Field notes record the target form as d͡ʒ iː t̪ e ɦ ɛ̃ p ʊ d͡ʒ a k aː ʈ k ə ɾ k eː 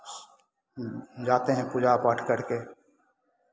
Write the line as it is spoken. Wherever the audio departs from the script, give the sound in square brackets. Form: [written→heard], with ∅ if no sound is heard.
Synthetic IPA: d͡ʒ [iː→aː] t̪ e ɦ ɛ̃ p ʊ d͡ʒ a [k→p] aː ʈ k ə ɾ k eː